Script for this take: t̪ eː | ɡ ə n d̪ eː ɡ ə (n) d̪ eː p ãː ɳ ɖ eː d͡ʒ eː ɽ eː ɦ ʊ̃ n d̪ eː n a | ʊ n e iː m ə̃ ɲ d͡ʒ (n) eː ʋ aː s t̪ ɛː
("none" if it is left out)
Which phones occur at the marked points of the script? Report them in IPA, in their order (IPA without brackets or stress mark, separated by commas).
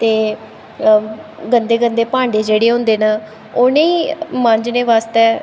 n, n